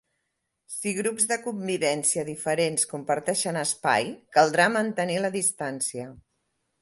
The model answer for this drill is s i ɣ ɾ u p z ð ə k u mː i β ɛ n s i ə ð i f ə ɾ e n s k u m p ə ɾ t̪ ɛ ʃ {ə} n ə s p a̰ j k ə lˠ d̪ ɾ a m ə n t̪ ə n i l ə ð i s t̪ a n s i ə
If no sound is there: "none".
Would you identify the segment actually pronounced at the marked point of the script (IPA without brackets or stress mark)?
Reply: ə